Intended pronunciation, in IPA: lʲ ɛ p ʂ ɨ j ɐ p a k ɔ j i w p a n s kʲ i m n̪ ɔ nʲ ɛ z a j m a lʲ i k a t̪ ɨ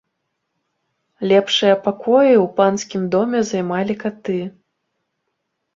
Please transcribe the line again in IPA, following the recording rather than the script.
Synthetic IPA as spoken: lʲ ɛ p ʂ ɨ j ɐ p a k ɔ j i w p a n s kʲ i m d̪ ɔ mʲ ɛ z a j m a lʲ i k a t̪ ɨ